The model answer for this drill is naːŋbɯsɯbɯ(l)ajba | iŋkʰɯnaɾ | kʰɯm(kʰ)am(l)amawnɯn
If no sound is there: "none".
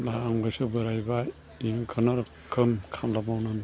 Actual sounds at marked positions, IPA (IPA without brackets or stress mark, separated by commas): ɾ, kʰ, l